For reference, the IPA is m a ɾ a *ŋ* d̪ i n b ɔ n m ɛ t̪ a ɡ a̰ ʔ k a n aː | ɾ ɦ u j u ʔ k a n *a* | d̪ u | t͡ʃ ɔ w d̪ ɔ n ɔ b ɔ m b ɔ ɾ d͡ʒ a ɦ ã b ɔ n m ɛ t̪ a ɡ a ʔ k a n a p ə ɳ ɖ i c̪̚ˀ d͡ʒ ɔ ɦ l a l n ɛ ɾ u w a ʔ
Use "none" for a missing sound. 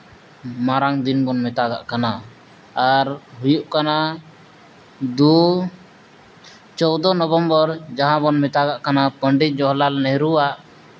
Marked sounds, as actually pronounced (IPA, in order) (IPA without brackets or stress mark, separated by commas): ŋ, a